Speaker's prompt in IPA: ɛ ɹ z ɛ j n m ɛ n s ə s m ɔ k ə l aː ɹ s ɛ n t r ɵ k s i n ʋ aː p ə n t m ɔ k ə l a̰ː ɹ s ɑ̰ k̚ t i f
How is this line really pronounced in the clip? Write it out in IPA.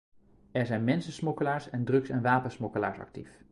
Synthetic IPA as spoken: ɛ ɹ z ɛ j n m ɛ n s ə s m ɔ k ə l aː ɹ s ɛ n d r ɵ k s ɛ n ʋ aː p ə n s m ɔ k ə l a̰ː ɹ s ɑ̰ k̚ t i f